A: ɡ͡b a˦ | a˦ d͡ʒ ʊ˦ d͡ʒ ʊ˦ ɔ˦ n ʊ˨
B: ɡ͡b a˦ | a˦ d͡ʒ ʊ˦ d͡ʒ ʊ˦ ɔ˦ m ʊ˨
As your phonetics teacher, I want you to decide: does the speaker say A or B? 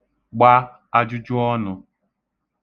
A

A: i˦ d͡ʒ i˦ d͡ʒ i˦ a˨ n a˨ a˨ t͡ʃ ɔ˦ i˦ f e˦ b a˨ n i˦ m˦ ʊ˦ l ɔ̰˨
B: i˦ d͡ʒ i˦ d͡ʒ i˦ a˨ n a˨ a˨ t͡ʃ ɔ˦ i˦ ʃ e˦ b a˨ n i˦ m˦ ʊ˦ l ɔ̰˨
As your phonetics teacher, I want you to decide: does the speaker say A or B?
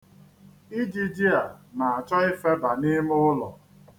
A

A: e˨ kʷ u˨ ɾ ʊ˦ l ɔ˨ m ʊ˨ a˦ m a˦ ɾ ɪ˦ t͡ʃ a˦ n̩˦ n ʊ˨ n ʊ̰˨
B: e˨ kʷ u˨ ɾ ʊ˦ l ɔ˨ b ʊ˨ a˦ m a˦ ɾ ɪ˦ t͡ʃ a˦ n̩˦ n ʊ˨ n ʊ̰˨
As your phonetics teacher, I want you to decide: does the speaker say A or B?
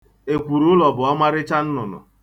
B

